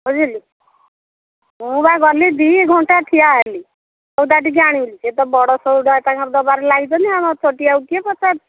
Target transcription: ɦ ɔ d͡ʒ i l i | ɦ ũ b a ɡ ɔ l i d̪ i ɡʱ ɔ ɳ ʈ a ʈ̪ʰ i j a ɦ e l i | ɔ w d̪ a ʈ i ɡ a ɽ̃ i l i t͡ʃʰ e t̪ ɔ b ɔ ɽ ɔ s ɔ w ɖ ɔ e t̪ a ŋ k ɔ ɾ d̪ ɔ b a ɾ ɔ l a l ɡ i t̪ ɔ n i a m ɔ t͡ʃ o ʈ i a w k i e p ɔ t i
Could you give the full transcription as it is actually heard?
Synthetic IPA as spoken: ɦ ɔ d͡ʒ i l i | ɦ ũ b a ɡ ɔ l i d̪ i ɡʱ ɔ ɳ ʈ a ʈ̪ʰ i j a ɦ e l i | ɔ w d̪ a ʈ i ɡ a ɽ̃ i l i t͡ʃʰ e t̪ ɔ b ɔ ɽ ɔ s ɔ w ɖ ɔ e t̪ a ŋ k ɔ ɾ d̪ ɔ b a ɾ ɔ l a ɡ i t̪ ɔ n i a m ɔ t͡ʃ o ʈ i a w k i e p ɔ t a